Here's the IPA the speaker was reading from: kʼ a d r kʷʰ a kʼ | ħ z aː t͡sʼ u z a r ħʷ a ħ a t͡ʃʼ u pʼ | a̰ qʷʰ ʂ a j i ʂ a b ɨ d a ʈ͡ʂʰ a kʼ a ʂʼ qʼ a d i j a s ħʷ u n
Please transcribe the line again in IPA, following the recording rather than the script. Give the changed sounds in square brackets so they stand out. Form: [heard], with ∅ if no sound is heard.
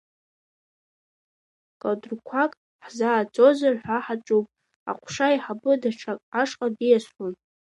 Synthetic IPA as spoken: kʼ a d r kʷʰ a kʼ | ħ z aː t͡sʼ [o] z a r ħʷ a ħ a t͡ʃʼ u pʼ | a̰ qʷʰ ʂ a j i [ħ] a b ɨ d a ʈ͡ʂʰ a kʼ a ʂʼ qʼ a d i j a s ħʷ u n